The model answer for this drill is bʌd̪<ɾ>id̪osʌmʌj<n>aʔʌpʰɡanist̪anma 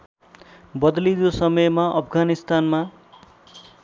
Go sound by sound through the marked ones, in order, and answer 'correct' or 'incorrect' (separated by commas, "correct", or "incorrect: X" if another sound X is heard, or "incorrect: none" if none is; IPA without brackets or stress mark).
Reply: incorrect: l, incorrect: m